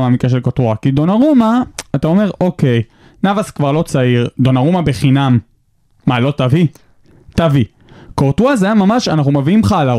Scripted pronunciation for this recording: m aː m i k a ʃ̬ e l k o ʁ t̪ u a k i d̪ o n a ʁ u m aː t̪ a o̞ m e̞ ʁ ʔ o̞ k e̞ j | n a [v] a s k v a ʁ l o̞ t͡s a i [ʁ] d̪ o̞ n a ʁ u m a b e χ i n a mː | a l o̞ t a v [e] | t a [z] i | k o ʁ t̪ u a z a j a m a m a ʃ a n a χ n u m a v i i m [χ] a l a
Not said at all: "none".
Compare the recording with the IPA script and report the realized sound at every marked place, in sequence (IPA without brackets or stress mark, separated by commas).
v, ʁ, i, v, χ